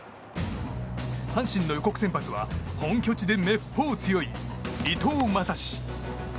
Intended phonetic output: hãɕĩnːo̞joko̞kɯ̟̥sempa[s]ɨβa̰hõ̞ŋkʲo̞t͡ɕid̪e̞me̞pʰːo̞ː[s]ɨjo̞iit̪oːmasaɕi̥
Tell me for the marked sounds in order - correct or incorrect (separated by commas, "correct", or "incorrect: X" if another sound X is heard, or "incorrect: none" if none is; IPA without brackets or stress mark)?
incorrect: t͡s, incorrect: t͡s